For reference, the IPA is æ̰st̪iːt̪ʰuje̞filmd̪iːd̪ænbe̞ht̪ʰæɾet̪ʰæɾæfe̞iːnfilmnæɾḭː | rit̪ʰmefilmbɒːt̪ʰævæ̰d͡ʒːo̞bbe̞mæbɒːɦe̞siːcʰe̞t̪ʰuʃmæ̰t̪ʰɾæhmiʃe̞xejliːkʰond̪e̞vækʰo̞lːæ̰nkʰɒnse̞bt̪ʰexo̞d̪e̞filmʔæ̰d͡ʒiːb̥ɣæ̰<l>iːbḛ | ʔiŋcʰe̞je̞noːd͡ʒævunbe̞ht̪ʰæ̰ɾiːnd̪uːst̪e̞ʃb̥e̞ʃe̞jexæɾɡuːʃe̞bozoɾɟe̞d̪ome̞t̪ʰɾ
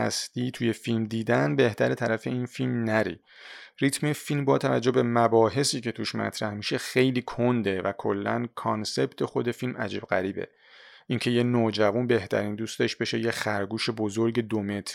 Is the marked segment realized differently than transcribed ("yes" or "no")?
yes